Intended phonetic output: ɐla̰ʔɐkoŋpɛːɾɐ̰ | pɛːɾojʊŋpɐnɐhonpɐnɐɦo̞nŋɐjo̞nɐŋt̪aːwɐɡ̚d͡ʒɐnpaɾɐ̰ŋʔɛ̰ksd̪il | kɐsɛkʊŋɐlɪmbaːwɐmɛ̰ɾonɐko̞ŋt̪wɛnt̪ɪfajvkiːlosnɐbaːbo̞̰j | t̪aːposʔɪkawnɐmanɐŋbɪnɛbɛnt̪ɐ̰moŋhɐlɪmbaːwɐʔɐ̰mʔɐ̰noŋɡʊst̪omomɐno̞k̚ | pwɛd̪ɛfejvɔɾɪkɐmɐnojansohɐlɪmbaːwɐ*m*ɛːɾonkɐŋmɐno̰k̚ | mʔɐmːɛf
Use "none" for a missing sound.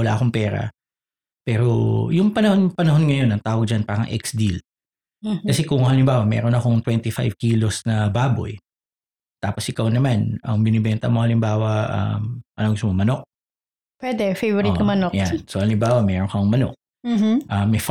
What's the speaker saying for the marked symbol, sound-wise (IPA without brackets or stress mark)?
m